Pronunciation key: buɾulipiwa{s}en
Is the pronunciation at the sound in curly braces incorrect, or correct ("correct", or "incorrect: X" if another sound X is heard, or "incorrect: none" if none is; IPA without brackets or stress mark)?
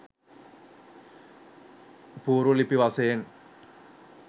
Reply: correct